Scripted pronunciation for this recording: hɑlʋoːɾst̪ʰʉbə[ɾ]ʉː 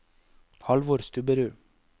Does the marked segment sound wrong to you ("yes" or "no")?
no